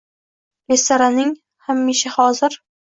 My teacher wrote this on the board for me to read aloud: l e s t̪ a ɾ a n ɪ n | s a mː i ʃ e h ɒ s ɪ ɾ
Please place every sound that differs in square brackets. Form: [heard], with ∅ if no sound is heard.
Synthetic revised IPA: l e s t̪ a ɾ a n ɪ [ŋ] | [h] a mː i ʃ [a] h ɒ [z] ɪ ɾ